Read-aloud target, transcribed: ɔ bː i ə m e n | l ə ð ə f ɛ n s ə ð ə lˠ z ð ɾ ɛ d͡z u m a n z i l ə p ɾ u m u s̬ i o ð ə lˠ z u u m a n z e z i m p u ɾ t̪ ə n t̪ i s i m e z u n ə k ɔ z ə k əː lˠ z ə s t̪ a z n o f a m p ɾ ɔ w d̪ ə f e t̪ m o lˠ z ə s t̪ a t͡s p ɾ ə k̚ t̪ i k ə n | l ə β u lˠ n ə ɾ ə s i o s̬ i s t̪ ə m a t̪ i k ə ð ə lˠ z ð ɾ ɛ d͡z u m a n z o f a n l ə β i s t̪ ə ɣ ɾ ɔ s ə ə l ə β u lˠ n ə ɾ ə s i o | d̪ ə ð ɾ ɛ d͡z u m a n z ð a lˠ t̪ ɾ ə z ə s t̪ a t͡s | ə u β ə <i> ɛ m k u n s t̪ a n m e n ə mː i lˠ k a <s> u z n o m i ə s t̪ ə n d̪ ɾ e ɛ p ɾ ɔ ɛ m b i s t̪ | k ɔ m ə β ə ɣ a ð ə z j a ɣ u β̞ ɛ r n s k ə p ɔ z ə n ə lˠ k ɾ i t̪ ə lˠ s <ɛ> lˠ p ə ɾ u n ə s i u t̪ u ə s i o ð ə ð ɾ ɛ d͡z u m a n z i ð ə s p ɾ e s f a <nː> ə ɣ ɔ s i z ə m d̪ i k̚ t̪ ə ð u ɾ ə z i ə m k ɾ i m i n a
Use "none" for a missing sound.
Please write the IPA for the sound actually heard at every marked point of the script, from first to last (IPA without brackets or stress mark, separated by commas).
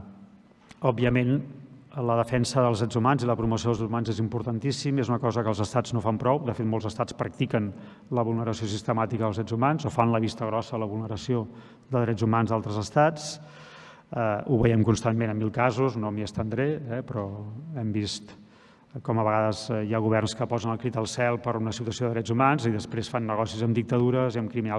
j, z, ɛ, nː